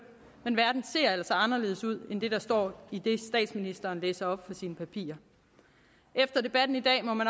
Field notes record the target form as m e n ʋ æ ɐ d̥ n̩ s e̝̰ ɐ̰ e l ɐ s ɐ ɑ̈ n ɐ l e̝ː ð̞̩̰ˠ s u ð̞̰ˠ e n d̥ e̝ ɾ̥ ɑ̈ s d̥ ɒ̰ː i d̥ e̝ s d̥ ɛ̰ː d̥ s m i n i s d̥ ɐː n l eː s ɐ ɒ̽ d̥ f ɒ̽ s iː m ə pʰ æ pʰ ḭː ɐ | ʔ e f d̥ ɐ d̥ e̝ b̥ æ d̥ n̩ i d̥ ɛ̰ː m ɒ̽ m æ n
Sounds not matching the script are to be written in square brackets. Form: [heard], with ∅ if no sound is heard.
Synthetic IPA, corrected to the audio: m e n ʋ æ ɐ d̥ n̩ s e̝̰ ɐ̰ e l ɐ s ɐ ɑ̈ n ɐ l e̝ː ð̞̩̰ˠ s u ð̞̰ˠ e n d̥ e̝ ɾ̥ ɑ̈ s d̥ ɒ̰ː i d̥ e̝ s d̥ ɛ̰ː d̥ s m i n i s d̥ ɐː n l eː s ɐ ɒ̽ [b̥] f ɒ̽ s iː [n] ə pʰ æ pʰ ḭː ɐ | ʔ e f d̥ ɐ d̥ e̝ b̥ æ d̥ n̩ i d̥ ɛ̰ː m ɒ̽ m æ n